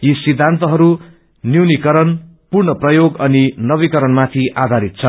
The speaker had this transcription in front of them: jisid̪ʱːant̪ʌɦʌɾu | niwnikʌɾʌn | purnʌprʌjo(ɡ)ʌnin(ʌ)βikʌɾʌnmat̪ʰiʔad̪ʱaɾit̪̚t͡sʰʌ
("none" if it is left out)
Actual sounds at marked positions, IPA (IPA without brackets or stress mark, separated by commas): ɡ, ʌ